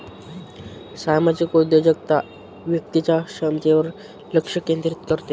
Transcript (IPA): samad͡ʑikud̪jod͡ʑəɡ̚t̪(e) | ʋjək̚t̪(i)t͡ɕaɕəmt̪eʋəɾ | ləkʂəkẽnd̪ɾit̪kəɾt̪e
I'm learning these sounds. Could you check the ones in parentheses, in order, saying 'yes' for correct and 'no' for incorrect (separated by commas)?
no, yes